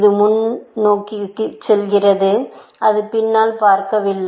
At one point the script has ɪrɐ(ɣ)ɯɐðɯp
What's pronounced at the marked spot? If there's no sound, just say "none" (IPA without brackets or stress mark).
ð